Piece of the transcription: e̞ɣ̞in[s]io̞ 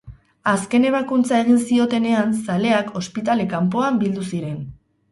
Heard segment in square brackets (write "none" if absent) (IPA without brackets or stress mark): s